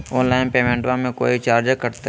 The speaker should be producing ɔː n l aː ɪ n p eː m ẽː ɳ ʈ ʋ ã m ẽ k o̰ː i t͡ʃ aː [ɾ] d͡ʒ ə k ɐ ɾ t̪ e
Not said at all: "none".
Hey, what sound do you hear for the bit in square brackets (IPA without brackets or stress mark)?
ɾ